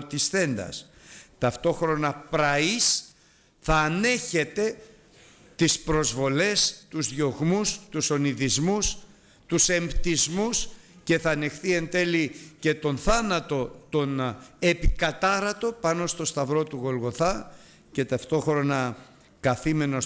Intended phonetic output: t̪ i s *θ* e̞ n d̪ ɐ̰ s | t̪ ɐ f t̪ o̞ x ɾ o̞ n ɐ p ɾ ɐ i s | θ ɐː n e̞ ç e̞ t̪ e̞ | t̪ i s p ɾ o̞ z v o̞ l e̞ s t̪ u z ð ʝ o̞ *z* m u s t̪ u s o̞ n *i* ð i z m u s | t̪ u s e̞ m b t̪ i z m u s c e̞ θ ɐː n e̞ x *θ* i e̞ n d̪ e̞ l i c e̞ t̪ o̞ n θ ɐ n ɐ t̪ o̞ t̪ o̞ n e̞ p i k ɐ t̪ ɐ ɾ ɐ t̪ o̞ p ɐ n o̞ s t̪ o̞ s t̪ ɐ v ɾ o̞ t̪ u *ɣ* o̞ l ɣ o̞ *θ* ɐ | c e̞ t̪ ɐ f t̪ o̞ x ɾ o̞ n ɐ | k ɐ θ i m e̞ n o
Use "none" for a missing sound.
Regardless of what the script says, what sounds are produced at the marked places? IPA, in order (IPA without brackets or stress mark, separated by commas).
θ, ɣ, i, θ, ɣ, θ